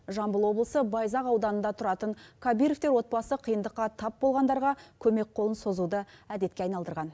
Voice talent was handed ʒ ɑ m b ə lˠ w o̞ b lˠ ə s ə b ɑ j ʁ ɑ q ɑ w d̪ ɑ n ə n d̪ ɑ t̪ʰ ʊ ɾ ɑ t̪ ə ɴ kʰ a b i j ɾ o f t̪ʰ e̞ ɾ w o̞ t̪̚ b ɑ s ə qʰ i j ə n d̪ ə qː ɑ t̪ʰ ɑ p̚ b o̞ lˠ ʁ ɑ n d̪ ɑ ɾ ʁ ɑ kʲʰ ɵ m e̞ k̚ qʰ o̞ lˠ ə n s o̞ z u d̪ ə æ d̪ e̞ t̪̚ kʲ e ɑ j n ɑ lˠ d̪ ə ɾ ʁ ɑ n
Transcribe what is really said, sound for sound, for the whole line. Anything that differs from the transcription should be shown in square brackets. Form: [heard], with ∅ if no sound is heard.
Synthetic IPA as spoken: ʒ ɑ m b ə lˠ w o̞ b lˠ ə s ə b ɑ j [z] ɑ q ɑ w d̪ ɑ n ə n d̪ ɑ t̪ʰ ʊ ɾ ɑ t̪ ə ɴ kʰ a b i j ɾ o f [t̪] e̞ ɾ w o̞ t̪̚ b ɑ s ə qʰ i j ə n d̪ ə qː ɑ t̪ʰ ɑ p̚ b o̞ lˠ ʁ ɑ n d̪ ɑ ɾ ʁ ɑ kʲʰ ɵ m e̞ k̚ qʰ o̞ lˠ ə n s o̞ z u d̪ ə æ d̪ e̞ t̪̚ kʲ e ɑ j n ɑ lˠ d̪ ə ɾ ʁ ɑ n